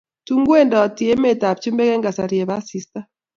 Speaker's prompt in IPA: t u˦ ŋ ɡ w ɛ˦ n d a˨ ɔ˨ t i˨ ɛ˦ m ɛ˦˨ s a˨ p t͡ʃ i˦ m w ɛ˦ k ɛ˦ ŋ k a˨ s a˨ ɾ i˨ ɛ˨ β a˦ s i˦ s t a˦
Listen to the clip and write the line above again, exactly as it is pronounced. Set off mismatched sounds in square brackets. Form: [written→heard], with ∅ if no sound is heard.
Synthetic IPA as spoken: t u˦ ŋ ɡ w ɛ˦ n d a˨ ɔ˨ t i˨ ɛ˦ m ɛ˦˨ [s→t] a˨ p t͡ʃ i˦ m [w→b] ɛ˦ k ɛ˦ ŋ [k→ɡ] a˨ s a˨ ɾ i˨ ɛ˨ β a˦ s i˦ s t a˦